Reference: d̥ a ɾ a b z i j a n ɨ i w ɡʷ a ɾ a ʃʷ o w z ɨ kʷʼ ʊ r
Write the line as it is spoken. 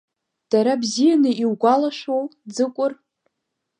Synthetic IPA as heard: d̥ a ɾ a b z i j a n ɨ i w ɡʷ a l a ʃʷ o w d͡z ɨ kʷʼ ʊ r

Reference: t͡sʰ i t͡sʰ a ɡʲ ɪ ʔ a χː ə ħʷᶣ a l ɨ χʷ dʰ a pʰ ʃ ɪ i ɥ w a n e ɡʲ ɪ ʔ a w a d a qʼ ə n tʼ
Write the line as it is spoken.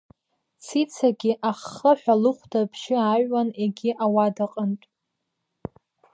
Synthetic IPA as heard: t͡sʰ i t͡sʰ a ɡʲ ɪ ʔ a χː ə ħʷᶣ a l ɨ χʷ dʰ a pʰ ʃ ɪ a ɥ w a n e ɡʲ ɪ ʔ a w a d a qʼ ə n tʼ

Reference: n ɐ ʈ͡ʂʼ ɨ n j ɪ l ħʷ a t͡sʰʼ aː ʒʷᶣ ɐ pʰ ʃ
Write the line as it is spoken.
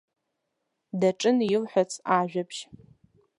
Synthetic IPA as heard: d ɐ ʈ͡ʂʼ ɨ n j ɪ l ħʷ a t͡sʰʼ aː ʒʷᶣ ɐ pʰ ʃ

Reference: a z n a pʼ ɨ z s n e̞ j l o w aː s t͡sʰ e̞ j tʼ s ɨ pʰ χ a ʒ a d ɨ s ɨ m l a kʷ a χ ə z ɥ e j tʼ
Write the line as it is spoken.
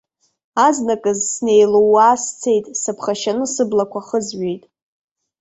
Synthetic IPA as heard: a z n a kʼ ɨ z s n e̞ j l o w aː s t͡sʰ e̞ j tʼ s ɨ pʰ χ a ʃ a n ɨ s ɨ b l a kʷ a χ ə z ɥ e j tʼ

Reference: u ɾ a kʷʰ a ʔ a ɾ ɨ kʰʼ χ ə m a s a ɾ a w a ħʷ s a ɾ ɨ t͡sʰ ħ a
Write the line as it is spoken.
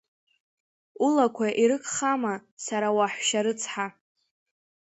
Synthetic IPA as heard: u l a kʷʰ a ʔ i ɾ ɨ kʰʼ χ a m a s a ɾ a w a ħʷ ʃ a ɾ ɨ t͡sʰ ħ a

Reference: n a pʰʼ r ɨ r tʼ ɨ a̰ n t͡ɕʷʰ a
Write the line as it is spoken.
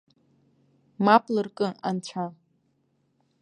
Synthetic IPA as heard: m a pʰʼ l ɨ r kʼ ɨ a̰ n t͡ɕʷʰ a

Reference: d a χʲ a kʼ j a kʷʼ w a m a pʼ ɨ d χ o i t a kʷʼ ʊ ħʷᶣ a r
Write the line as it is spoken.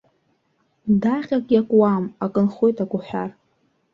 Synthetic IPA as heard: d a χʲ a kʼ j a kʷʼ w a m a kʼ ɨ n χ o j t a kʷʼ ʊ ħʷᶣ a r

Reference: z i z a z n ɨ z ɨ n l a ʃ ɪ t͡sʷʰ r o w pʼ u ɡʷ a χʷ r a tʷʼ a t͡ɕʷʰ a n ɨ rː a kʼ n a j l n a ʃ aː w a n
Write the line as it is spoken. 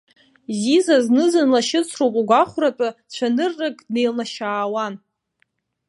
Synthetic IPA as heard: z i z a z n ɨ z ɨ n l a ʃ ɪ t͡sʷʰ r o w pʼ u ɡʷ a χʷ r a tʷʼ a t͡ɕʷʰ a n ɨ rː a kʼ n e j l n a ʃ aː w a n

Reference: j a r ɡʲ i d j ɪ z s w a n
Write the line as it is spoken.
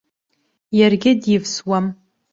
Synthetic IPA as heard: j a r ɡʲ ɪ d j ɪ v s w a m

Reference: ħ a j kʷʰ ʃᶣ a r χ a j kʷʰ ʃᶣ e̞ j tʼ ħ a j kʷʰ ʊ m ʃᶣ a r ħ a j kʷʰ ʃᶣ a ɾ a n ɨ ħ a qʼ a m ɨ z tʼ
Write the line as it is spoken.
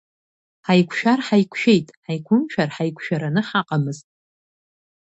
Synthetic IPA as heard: ħ a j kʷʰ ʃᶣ a r ħ a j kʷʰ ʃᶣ e̞ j tʼ ħ a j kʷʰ ʊ m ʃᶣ a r ħ a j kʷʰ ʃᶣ a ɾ a n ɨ ħ a qʼ a m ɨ z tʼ

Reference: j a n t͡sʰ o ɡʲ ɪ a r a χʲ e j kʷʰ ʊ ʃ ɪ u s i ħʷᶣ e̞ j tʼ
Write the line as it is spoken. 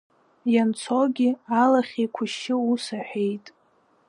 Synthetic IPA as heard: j a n t͡sʰ o ɡʲ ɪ a l a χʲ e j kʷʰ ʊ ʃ ɪ u s a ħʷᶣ e̞ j tʼ

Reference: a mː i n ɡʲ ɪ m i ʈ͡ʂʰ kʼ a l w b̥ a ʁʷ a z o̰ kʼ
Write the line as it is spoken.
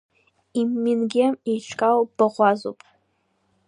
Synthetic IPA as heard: i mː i n ɡʲ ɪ m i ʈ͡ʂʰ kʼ a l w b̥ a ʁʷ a z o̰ pʼ

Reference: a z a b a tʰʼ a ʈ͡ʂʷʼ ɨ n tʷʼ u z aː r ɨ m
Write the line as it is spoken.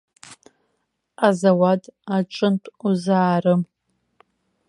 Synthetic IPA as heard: a z a w a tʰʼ a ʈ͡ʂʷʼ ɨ n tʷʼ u z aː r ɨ m

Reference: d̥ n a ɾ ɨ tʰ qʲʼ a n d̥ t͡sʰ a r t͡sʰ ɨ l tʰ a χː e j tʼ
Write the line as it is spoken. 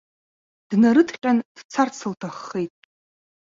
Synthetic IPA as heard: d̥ n a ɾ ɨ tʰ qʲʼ a n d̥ t͡sʰ a r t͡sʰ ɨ l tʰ a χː e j tʼ

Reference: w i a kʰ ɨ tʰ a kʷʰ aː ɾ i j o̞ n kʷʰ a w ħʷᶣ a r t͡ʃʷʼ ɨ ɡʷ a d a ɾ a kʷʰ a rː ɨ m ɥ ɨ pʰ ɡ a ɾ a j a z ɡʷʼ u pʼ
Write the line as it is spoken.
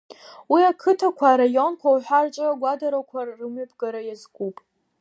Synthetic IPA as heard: w i a kʰ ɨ tʰ a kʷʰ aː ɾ a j o̞ n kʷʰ a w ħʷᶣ a r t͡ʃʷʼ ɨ ɡʷ a d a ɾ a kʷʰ a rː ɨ m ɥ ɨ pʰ ɡ a ɾ a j a z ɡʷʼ u pʼ

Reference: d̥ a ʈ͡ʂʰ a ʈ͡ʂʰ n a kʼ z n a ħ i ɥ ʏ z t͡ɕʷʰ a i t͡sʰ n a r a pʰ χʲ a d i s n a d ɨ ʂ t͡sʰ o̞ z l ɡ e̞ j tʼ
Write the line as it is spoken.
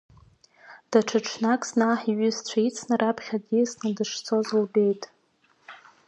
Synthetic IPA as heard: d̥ a ʈ͡ʂʰ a ʈ͡ʂʰ n a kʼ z n a ħ i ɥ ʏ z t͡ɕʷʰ a i t͡sʰ n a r a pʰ χʲ a d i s n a d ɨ ʂ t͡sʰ o̞ z l b e̞ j tʼ

